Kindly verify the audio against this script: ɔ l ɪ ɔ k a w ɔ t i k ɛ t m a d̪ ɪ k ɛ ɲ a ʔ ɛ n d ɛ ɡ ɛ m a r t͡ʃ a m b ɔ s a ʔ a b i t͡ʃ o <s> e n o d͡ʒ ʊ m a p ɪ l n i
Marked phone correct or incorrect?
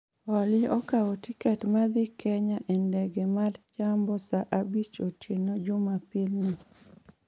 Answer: incorrect